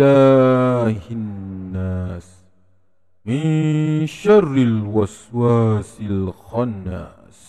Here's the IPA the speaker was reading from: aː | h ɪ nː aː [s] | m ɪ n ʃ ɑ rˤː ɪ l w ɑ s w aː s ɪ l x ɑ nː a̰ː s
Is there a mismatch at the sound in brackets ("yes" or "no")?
no